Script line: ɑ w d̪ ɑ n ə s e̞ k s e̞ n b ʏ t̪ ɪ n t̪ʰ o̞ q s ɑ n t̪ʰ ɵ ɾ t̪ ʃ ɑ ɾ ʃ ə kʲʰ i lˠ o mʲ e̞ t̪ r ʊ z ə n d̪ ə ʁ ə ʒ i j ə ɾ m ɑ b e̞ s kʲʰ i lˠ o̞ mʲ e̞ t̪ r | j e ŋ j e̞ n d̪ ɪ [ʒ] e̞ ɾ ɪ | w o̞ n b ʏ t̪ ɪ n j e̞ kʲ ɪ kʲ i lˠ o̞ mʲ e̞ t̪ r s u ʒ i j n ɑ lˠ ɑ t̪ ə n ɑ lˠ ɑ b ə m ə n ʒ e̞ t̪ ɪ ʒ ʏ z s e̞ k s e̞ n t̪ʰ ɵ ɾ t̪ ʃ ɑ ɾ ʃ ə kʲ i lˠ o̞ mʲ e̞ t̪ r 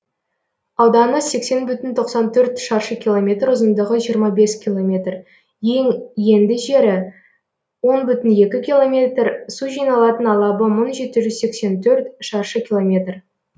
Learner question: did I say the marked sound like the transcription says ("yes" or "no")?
yes